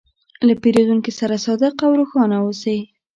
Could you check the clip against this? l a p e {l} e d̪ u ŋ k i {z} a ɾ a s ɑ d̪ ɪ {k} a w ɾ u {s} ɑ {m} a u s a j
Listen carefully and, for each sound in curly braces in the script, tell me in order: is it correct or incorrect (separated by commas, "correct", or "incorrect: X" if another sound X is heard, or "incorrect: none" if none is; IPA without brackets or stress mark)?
incorrect: ɾ, incorrect: s, incorrect: q, incorrect: x, incorrect: n